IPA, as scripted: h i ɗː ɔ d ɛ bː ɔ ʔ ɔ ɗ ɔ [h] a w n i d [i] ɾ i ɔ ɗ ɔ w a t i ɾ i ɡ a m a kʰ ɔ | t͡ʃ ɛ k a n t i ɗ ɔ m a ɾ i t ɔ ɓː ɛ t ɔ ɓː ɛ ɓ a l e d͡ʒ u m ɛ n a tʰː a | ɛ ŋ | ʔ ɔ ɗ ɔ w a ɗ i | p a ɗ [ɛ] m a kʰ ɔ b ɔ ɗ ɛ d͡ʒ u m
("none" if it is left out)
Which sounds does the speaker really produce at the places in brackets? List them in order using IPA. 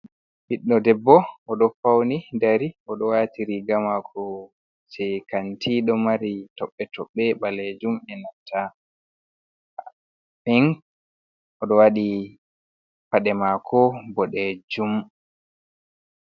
f, a, ɛ

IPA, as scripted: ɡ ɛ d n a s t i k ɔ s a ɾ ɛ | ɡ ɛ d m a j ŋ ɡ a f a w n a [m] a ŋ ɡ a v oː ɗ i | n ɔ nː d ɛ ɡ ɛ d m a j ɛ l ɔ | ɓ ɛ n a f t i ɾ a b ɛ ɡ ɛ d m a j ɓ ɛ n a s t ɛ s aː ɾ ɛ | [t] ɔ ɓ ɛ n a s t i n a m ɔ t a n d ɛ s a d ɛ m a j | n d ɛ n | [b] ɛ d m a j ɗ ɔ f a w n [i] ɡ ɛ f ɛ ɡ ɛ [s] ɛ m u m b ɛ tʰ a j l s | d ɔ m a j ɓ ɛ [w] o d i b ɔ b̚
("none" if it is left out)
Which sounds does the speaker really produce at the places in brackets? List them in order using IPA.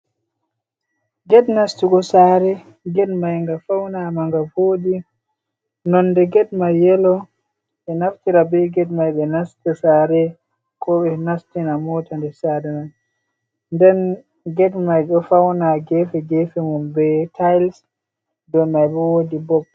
m, k, ɡ, a, f, w

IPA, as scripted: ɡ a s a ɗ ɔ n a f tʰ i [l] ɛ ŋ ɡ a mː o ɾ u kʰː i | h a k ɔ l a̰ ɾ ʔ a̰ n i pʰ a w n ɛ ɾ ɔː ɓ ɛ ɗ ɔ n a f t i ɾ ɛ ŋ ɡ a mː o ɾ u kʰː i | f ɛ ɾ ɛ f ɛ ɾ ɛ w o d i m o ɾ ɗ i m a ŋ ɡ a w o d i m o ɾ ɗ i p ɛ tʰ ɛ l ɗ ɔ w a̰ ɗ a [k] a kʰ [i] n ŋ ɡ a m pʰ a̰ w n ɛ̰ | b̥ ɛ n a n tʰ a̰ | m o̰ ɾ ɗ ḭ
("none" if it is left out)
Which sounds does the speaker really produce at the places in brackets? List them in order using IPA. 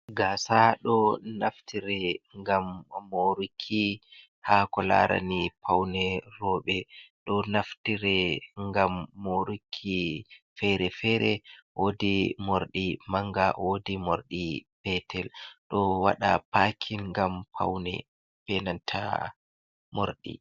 ɾ, p, i

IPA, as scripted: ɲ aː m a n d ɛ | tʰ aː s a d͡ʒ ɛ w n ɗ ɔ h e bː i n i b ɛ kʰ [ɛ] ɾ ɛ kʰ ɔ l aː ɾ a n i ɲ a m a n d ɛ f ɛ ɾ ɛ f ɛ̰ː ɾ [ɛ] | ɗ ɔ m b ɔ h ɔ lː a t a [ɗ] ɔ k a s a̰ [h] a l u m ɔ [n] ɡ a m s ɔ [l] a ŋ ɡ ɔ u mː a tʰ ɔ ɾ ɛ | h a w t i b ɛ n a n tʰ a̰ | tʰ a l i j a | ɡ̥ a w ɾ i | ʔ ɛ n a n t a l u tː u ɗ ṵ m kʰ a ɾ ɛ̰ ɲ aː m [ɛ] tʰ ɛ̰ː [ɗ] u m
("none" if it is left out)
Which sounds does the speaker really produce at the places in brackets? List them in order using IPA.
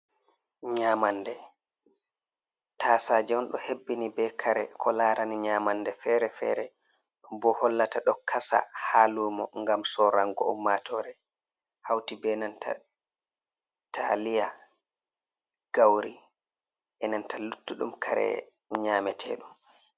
a, ɛ, ɗ, h, ŋ, ɾ, ɛ, ɗ

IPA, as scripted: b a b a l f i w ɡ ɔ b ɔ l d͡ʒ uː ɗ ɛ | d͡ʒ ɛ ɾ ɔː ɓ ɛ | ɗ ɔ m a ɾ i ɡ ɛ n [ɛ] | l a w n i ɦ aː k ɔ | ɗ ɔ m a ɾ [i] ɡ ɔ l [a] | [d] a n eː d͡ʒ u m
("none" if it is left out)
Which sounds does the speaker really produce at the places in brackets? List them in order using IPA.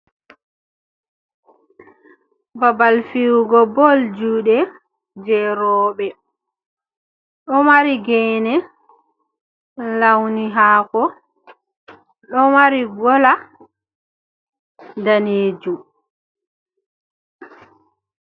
ɛ, i, a, d

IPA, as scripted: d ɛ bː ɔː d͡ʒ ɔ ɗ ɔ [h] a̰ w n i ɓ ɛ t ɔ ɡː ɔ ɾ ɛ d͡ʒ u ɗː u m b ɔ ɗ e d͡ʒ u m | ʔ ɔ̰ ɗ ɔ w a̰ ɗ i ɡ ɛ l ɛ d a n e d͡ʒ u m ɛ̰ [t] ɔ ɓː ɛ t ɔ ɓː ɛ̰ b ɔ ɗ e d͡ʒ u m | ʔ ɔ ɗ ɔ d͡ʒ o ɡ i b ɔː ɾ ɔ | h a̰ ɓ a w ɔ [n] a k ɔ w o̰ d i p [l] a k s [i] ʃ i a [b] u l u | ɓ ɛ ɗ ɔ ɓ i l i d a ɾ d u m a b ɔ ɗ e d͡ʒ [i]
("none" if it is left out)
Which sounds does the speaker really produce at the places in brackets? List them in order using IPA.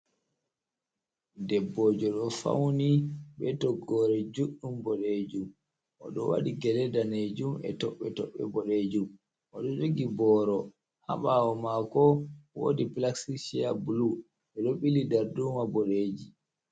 f, t, m, l, i, b, i

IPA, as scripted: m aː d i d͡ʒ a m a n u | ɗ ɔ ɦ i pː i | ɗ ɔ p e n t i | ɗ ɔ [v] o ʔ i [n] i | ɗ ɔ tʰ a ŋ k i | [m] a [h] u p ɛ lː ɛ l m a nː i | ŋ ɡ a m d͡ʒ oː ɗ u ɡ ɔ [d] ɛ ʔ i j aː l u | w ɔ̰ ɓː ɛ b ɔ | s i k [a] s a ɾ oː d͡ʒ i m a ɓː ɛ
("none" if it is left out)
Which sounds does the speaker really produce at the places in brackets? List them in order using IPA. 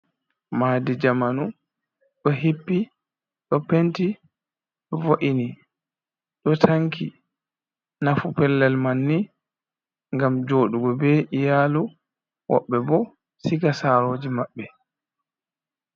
v, n, n, f, b, a

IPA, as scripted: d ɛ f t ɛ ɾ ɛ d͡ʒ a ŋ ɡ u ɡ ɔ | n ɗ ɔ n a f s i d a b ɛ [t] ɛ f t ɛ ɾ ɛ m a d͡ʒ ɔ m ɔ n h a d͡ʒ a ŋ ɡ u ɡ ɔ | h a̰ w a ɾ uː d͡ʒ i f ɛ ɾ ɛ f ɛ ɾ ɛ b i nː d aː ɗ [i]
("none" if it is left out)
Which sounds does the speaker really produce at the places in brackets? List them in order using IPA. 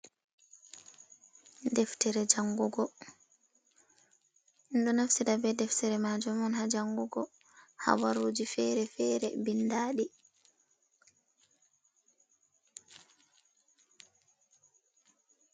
d, i

